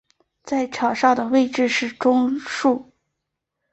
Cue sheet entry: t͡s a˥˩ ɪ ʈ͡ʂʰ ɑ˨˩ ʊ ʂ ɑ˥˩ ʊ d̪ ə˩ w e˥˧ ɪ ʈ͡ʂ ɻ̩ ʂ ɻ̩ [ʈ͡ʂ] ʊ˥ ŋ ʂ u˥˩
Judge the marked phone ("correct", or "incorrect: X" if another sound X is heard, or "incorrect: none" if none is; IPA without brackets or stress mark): correct